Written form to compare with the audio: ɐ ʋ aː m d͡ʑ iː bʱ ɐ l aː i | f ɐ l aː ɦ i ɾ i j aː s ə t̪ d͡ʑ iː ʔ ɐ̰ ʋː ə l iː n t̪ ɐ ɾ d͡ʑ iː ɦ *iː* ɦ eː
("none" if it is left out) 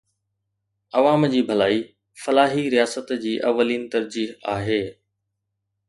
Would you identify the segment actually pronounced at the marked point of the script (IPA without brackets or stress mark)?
aː